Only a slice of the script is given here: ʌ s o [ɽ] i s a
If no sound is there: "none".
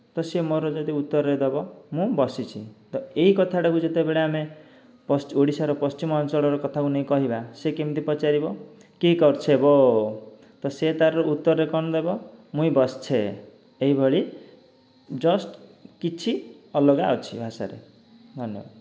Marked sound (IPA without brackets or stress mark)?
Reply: ɽ